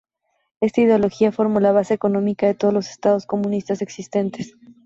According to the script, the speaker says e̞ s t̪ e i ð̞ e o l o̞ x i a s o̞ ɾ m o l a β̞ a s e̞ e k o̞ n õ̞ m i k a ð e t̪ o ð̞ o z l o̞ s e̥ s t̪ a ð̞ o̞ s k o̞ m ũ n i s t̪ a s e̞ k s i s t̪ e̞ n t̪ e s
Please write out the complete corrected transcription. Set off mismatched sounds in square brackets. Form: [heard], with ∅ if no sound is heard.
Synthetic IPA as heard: e̞ s t̪ [a] i ð̞ e o l o̞ x i a [f] o̞ ɾ m o l a β̞ a s e̞ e k o̞ n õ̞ m i k a ð e t̪ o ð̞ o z l o̞ s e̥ s t̪ a ð̞ o̞ s k o̞ m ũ n i s t̪ a s e̞ k s i s t̪ e̞ n t̪ e s